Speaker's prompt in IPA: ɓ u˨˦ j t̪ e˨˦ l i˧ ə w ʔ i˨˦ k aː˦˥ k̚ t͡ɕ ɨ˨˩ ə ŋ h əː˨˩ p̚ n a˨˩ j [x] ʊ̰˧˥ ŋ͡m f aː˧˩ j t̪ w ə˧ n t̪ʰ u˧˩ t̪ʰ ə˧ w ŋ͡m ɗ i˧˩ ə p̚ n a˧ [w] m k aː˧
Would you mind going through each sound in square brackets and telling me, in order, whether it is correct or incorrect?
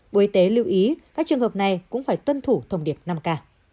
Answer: incorrect, incorrect

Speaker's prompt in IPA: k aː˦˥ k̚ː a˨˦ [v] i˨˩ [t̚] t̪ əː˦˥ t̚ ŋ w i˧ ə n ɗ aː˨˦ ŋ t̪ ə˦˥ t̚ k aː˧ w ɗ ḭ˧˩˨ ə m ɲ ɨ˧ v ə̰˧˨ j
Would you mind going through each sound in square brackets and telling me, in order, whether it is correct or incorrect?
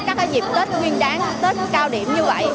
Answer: incorrect, incorrect

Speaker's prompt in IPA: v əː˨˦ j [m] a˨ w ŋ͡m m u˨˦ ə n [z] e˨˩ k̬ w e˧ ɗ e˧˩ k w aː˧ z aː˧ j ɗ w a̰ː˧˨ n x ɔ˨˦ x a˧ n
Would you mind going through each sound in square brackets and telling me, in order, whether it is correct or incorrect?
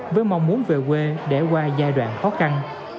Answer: correct, incorrect

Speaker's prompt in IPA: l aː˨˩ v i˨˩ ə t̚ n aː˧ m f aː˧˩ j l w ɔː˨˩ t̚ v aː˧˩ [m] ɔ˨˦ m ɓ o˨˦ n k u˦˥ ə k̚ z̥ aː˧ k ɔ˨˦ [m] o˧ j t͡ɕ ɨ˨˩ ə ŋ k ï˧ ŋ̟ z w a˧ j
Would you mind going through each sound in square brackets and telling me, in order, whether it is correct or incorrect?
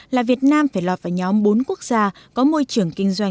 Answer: incorrect, correct

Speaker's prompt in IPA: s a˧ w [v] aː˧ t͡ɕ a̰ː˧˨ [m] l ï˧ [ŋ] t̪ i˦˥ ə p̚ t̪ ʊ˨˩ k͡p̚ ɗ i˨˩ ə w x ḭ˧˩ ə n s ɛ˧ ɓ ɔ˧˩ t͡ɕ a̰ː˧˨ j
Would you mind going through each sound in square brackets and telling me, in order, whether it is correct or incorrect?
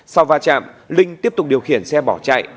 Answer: correct, correct, correct

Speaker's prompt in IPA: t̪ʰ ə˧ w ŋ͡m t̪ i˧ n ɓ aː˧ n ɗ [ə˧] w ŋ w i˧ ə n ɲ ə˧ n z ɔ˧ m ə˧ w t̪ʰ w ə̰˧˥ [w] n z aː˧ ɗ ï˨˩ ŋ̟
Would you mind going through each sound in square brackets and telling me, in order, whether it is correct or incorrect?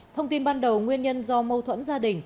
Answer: incorrect, incorrect

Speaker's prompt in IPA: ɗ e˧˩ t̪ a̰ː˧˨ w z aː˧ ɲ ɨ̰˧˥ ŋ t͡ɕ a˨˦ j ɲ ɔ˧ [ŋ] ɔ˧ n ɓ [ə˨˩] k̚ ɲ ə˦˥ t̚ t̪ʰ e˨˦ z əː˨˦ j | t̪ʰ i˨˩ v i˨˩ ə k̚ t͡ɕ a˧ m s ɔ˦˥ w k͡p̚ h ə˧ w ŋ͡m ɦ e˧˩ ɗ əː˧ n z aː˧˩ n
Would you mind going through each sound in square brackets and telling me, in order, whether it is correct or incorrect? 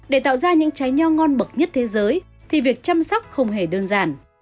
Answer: correct, correct

